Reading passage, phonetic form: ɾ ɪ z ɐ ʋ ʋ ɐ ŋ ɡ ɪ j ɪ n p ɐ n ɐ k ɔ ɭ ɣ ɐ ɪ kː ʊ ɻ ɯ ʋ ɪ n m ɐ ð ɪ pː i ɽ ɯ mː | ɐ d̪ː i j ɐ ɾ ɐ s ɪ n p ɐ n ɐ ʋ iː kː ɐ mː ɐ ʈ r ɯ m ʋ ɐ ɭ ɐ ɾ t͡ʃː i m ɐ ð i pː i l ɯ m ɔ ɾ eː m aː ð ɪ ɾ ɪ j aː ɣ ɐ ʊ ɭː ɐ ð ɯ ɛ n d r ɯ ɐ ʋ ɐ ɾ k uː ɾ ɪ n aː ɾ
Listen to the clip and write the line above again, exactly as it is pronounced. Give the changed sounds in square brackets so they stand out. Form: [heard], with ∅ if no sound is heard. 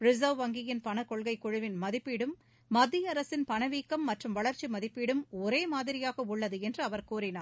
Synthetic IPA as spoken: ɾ ɪ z ɐ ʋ ʋ ɐ ŋ ɡ ɪ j ɪ n p ɐ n ɐ k ɔ ɭ ɣ ɐ ɪ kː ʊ ɻ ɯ ʋ ɪ n m ɐ ð ɪ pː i ɽ ɯ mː | ɐ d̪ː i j ɐ ɾ ɐ s ɪ n p ɐ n ɐ ʋ iː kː ɐ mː ɐ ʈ r ɯ m ʋ ɐ ɭ ɐ ɾ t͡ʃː i m ɐ ð [ɪ] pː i [ɽ] ɯ m ɔ ɾ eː m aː ð ɪ ɾ ɪ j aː ɣ ɐ ʊ ɭː ɐ ð ɯ ɛ n d r ɯ ɐ ʋ ɐ ɾ k uː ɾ ɪ n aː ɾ